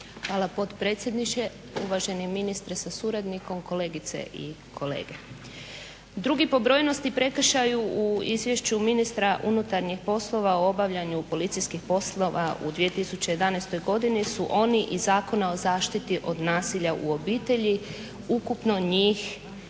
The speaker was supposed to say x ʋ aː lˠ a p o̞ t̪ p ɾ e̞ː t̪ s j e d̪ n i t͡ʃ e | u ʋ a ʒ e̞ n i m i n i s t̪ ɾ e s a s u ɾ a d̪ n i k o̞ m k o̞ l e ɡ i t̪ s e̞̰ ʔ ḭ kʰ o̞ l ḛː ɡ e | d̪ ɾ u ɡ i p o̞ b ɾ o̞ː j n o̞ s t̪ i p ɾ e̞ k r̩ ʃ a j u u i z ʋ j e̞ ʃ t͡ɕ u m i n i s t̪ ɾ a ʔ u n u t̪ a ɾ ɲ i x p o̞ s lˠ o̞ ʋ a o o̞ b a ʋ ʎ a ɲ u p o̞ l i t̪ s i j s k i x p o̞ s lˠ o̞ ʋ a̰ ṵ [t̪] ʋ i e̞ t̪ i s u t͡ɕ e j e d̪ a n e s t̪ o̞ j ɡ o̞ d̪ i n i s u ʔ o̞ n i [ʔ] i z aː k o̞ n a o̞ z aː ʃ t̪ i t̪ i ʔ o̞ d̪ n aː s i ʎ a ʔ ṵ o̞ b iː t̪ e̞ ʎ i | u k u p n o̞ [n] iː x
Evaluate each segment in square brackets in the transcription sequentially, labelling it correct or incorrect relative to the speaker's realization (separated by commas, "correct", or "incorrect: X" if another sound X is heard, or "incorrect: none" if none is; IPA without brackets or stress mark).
incorrect: d̪, correct, incorrect: ɲ